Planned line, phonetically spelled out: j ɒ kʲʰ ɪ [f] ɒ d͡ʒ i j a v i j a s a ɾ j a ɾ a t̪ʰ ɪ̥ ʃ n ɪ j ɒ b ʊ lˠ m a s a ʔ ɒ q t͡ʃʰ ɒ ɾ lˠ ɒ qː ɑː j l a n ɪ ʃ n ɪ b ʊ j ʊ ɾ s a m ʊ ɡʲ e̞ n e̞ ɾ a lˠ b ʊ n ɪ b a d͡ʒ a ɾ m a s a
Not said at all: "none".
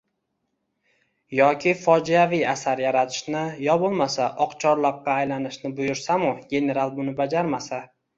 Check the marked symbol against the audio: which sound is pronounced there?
f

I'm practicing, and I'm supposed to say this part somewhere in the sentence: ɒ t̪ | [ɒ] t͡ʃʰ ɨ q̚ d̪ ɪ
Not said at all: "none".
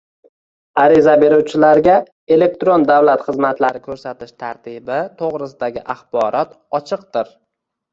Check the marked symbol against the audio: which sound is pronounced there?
ɒ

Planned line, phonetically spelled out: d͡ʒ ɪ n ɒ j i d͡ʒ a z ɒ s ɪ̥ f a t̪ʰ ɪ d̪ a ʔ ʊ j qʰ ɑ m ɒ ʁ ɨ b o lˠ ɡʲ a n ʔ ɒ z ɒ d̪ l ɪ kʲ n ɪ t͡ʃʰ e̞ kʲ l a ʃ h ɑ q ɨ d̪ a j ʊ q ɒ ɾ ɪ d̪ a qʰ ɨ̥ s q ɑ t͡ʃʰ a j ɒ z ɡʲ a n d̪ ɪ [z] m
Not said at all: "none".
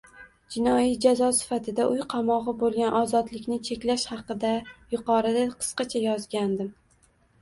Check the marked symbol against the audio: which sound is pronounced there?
none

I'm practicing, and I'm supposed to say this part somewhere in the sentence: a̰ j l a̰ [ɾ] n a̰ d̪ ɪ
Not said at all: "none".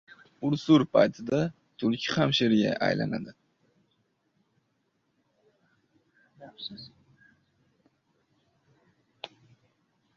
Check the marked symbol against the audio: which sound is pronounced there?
none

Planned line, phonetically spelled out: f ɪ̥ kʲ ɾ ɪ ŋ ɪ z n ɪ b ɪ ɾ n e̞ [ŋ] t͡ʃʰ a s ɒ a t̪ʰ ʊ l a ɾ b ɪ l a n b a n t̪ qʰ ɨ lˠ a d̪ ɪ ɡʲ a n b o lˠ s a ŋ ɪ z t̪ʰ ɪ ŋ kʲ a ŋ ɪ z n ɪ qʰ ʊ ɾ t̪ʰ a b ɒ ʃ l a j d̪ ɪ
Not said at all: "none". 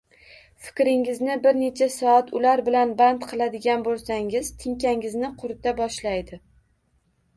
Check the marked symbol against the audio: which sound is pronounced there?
none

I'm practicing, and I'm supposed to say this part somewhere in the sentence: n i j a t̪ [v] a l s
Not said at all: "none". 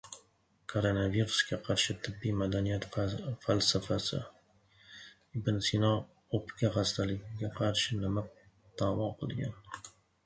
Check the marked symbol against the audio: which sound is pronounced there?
f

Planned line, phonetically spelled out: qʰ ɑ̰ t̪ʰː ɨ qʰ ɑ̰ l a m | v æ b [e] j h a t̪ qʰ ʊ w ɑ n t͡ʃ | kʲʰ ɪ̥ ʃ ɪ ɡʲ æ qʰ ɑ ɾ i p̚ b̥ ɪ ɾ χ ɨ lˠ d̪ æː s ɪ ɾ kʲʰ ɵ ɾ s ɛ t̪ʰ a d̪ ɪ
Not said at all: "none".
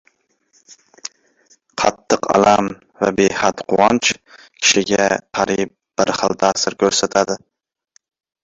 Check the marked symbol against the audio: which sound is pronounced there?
e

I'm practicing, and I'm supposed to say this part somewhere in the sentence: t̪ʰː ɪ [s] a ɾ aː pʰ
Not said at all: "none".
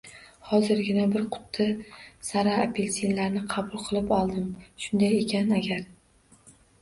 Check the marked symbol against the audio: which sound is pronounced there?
s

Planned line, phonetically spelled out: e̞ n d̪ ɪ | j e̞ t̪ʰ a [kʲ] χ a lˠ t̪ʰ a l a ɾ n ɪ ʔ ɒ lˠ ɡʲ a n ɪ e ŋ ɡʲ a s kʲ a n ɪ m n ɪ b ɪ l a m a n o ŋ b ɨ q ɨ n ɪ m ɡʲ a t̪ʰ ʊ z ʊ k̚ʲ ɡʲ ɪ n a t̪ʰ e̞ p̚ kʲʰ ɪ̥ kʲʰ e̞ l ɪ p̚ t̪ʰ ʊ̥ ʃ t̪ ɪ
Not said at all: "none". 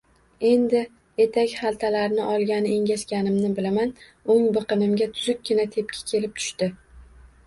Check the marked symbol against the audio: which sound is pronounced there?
kʲ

